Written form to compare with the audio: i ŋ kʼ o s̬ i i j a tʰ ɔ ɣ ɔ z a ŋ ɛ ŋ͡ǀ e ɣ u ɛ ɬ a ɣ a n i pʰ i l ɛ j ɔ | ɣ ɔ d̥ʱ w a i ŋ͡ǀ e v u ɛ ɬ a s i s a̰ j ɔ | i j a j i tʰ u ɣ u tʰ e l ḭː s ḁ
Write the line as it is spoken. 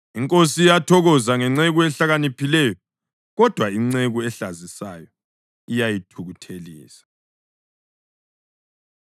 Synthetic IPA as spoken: i ŋ kʼ o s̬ i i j a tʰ ɔ ɣ ɔ z a ŋ ɛ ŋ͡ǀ e ɣ u ɛ ɬ a ɣ a n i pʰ i l ɛ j ɔ | ɣ ɔ d̥ʱ w a i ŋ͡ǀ e ɣ u ɛ ɬ a z i s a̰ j ɔ | i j a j i tʰ u ɣ u tʰ e l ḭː s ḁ